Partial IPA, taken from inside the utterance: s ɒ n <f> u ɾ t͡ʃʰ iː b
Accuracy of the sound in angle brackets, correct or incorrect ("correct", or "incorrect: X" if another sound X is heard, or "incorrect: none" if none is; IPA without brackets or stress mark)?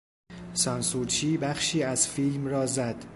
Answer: incorrect: s